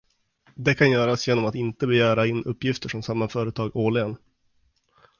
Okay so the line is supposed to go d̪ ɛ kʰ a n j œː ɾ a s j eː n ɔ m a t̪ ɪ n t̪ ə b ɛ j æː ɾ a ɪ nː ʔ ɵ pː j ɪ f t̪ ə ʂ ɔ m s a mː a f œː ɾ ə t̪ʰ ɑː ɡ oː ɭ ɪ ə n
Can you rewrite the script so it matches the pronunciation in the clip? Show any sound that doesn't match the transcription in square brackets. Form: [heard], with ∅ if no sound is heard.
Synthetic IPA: d̪ ɛ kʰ a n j œː ɾ a s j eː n ɔ m a t̪ ɪ n t̪ ə b ɛ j æː ɾ a ɪ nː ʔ ɵ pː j ɪ f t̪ ə ʂ ɔ m s a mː a f œː ɾ ə t̪ʰ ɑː ɡ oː ɭ ɪ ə n